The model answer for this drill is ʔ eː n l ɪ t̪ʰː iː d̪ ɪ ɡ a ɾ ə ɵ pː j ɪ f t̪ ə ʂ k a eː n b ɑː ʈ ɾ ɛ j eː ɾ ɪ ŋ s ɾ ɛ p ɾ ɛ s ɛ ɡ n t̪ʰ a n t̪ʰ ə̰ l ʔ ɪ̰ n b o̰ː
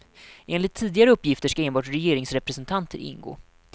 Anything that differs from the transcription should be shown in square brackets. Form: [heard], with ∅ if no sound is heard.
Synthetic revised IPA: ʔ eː n l ɪ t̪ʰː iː d̪ ɪ ɡ a ɾ ə ɵ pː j ɪ f t̪ ə ʂ k a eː n b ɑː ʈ ɾ ɛ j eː ɾ ɪ ŋ s ɾ ɛ p ɾ ɛ s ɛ [∅] n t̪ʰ a n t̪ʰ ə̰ [ɾ] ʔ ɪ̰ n [ɡ] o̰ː